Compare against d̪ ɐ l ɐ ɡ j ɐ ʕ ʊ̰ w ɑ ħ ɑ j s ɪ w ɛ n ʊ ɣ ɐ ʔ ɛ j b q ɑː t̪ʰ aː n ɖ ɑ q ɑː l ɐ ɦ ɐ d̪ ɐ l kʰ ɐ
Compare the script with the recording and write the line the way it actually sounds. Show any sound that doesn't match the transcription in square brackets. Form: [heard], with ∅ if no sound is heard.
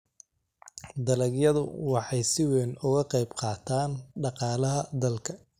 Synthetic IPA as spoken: d̪ ɐ l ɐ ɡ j ɐ [ð] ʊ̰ w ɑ ħ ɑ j s ɪ w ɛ n ʊ ɣ ɐ [q] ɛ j b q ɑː t̪ʰ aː n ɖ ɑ q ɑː l ɐ ɦ ɐ d̪ ɐ l kʰ ɐ